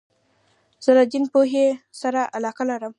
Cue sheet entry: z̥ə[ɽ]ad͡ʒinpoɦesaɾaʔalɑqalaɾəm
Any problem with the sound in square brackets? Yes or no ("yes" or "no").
yes